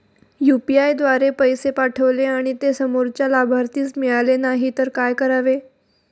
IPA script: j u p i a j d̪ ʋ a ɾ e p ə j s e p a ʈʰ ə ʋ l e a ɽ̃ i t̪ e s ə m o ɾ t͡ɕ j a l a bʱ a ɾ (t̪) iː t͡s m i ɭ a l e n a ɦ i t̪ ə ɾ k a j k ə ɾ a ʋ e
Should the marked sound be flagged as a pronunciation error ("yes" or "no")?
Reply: no